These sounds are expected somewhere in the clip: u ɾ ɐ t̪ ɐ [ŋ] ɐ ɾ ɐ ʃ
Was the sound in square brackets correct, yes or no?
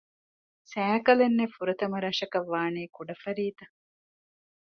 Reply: no